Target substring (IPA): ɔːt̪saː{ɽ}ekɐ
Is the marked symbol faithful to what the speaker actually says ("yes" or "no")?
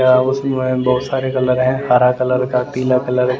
no